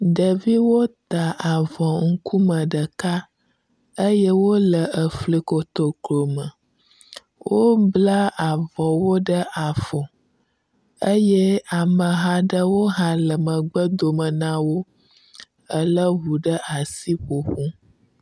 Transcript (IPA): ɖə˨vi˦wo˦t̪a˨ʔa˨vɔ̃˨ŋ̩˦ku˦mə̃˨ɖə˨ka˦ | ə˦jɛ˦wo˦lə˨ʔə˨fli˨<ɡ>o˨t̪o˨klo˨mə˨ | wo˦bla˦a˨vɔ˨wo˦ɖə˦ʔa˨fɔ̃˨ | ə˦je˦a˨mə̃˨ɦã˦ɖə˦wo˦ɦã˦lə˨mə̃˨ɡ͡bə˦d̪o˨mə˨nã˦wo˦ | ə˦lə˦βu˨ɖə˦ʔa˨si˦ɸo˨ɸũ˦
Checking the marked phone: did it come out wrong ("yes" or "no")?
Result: yes